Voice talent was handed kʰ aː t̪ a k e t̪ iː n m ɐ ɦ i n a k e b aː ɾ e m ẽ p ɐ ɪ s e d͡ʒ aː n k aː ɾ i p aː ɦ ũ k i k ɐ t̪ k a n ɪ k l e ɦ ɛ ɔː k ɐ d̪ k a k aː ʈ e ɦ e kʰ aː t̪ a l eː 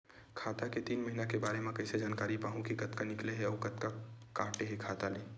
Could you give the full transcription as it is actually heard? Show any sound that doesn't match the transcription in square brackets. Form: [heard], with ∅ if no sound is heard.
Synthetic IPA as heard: kʰ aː t̪ a k e t̪ iː n m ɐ ɦ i n a k e b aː ɾ e m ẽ [k] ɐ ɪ s e d͡ʒ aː n k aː ɾ i p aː ɦ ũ k i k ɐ t̪ k a n ɪ k l e ɦ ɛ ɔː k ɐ [t̪] k a k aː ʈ e ɦ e kʰ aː t̪ a l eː